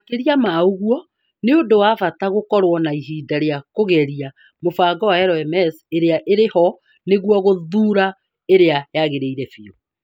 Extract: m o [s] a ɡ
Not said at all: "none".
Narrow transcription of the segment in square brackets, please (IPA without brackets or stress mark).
f